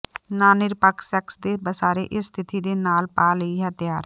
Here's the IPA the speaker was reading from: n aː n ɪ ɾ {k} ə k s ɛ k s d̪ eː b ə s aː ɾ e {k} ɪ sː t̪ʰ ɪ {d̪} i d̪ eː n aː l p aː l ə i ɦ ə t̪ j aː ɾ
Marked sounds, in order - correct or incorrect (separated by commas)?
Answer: incorrect, incorrect, incorrect